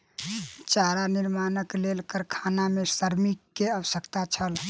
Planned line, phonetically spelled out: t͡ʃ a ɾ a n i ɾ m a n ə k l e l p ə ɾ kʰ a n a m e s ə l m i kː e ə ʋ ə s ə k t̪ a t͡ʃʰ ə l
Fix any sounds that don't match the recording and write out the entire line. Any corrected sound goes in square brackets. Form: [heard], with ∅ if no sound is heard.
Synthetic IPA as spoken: t͡ʃ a ɾ a n i ɾ m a n ə k l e l [k] ə ɾ kʰ a n a m e s ə [ɾ] m i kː e ə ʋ ə s ə k t̪ a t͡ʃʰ ə l